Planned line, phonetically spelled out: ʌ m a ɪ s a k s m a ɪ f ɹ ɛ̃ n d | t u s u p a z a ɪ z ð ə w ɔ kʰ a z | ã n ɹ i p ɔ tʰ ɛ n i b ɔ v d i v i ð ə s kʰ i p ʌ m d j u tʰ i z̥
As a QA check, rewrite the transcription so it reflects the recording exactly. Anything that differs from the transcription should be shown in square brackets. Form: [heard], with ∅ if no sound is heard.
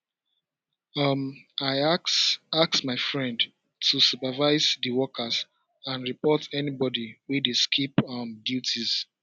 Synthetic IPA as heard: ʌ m a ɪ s a k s m a ɪ f ɹ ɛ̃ n d | t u s u p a [v] a ɪ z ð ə w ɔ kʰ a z | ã n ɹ i p ɔ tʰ ɛ n i b ɔ [∅] d i [w] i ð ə s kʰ i p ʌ m d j u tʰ i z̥